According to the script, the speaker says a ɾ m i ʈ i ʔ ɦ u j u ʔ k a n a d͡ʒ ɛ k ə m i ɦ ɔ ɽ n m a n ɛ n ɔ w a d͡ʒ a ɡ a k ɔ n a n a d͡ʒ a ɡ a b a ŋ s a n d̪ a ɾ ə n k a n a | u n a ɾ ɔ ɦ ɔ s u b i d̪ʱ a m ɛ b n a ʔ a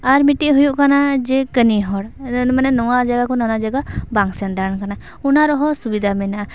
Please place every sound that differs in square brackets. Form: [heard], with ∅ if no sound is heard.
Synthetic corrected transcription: a ɾ m i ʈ i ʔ ɦ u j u ʔ k a n a d͡ʒ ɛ k ə [n] i ɦ ɔ ɽ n m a n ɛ n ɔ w a d͡ʒ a ɡ a k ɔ n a n a d͡ʒ a ɡ a b a ŋ s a n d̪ a ɾ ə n k a n a | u n a ɾ ɔ ɦ ɔ s u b i d̪ʱ a m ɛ [∅] n a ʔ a